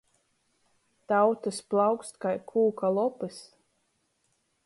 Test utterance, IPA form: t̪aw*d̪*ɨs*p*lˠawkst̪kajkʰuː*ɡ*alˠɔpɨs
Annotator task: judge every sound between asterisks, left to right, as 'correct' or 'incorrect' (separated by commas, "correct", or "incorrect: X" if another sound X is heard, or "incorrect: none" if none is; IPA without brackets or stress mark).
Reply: incorrect: t̪, correct, incorrect: k